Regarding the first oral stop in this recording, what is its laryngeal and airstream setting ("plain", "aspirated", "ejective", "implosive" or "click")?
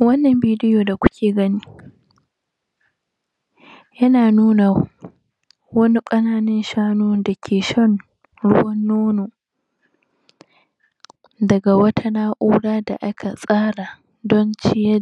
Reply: plain